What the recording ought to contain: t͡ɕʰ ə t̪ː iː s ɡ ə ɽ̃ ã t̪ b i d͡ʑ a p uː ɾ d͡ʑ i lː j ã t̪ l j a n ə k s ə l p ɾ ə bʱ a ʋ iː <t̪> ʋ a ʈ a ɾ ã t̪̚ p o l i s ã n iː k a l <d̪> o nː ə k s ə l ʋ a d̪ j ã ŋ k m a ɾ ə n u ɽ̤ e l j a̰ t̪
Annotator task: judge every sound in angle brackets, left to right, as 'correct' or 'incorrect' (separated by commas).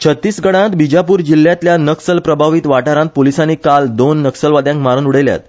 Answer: correct, correct